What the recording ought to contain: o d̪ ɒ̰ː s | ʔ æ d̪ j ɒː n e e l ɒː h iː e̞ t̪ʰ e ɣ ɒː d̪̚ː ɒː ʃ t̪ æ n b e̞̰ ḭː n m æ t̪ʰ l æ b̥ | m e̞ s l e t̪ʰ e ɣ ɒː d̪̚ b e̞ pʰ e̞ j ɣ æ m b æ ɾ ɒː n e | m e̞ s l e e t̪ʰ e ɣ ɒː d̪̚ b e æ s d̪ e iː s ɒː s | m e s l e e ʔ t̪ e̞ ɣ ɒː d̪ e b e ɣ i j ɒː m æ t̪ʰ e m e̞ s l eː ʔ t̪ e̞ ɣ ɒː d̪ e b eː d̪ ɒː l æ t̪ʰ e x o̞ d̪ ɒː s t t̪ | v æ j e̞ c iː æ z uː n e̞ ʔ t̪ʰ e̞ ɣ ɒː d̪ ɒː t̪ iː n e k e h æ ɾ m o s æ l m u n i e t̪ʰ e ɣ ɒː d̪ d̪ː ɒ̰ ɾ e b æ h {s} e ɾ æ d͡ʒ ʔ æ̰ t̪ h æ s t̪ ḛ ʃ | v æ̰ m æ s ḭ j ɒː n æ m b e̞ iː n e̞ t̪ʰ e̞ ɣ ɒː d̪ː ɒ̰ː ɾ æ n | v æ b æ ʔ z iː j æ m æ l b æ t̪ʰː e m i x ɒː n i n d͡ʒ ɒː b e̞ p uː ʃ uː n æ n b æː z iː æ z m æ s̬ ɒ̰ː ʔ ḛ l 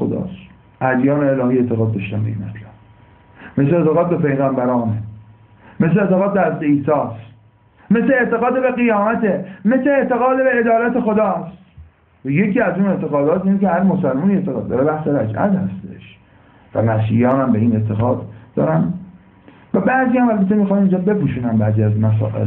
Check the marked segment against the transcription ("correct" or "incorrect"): correct